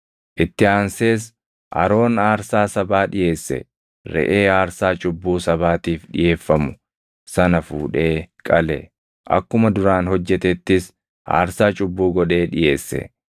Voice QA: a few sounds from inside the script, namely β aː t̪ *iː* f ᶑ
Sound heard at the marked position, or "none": iː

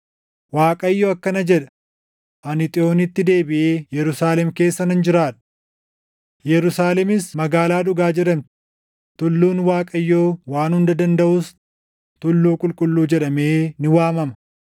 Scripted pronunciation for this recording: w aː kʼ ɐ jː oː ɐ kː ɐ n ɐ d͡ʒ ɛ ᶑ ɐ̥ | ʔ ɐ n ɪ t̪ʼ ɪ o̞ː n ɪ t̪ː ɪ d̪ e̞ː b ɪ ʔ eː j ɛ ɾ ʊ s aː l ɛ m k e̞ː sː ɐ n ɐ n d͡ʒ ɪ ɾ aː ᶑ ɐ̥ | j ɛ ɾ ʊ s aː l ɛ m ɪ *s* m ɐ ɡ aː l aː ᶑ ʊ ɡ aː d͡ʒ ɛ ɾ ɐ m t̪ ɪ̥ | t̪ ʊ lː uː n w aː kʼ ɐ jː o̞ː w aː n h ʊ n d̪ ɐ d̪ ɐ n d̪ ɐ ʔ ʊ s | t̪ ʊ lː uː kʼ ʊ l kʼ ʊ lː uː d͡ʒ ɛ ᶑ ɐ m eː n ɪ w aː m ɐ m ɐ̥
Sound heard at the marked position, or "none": s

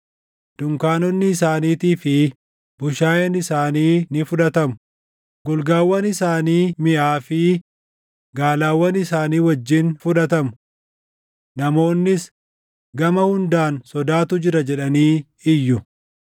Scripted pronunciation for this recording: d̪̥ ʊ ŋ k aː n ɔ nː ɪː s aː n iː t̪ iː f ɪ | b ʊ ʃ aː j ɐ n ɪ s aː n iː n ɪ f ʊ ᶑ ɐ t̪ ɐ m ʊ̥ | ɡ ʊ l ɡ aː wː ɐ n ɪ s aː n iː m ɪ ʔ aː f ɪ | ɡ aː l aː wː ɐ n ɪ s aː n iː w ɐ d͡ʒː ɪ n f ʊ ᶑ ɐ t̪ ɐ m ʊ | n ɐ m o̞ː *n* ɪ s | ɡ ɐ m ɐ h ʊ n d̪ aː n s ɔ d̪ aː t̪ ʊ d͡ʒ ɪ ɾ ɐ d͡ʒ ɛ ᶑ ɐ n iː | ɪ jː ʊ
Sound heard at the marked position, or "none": nː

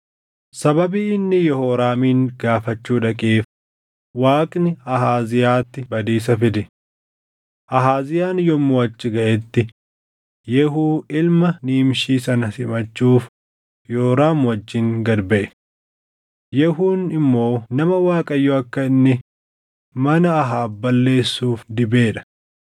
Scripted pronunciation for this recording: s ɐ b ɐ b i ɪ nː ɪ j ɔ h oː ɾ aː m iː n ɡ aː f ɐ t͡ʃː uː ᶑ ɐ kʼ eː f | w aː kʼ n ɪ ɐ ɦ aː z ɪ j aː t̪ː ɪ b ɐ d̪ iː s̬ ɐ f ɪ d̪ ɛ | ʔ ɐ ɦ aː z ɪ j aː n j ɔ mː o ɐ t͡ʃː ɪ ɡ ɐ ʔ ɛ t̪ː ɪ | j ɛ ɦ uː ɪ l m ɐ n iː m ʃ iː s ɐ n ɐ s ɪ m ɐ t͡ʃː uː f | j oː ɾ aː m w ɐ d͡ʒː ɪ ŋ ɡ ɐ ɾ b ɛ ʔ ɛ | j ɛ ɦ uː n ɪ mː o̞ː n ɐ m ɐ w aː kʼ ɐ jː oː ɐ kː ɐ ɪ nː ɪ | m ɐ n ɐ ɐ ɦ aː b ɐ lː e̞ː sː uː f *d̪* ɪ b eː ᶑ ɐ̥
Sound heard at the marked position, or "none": d̪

